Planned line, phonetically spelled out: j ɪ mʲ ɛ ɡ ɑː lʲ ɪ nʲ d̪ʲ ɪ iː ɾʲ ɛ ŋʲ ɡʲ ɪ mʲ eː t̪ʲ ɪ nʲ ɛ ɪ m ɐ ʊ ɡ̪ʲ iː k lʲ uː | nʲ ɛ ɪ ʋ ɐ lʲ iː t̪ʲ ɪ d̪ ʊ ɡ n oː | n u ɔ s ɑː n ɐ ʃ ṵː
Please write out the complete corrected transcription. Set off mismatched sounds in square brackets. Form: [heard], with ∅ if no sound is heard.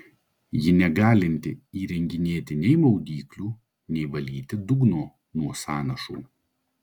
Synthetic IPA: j ɪ [nʲ] ɛ ɡ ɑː lʲ ɪ nʲ [t̪ʲ] ɪ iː ɾʲ ɛ ŋʲ ɡʲ ɪ [nʲ] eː t̪ʲ ɪ nʲ ɛ ɪ m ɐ ʊ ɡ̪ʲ iː k lʲ uː | nʲ ɛ ɪ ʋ ɐ lʲ iː t̪ʲ ɪ d̪ ʊ ɡ n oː | n u ɔ s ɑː n ɐ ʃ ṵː